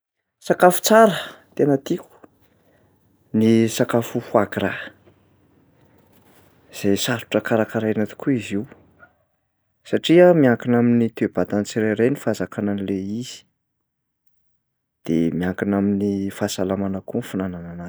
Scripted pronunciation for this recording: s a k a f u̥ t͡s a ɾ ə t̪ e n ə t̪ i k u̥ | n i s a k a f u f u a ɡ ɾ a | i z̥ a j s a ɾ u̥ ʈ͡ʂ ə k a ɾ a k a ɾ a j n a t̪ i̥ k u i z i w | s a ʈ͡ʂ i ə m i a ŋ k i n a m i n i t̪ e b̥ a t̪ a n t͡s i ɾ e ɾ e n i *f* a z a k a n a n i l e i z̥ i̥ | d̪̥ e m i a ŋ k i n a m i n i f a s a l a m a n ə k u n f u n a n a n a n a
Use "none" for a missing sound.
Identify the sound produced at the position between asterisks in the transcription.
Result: f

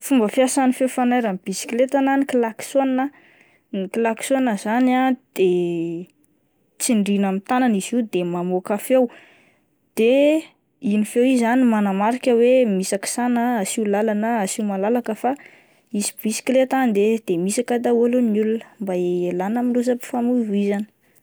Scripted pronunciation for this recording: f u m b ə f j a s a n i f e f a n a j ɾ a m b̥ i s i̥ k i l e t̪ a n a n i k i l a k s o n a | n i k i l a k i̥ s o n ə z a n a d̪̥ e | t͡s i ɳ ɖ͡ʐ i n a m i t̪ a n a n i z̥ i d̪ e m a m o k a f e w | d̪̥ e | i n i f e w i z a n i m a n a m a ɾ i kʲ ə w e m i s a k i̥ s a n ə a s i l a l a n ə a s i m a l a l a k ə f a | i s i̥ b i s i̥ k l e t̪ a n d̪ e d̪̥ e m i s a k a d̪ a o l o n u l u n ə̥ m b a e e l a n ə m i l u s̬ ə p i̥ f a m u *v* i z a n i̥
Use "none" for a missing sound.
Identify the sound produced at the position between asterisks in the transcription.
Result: v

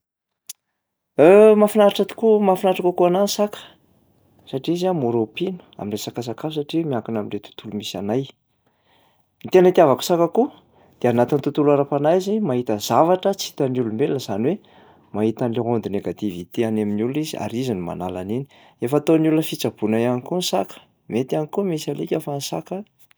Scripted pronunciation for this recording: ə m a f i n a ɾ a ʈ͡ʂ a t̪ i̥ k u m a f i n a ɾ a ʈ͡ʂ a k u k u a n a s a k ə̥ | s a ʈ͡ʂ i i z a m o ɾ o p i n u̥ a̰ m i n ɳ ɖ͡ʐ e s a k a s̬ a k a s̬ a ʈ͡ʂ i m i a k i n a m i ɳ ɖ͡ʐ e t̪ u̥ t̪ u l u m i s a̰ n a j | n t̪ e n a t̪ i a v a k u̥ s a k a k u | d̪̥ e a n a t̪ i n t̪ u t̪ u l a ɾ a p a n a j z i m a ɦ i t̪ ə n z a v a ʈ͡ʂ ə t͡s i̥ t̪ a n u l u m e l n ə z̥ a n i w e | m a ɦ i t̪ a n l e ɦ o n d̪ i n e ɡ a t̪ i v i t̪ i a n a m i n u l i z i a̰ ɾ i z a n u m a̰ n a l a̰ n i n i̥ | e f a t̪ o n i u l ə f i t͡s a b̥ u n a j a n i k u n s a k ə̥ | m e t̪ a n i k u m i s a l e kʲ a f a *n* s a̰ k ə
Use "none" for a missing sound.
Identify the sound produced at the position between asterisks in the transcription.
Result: n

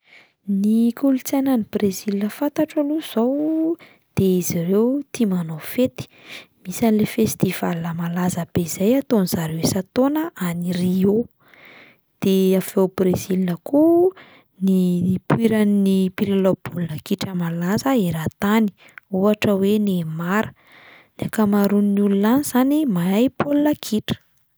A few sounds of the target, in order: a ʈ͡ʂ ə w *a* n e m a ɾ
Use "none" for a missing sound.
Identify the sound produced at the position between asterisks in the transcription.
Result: e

